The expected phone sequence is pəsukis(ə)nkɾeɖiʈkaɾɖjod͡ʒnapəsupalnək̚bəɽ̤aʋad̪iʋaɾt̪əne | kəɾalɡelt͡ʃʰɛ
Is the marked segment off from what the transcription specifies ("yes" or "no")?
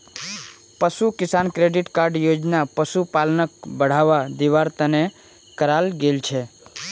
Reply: yes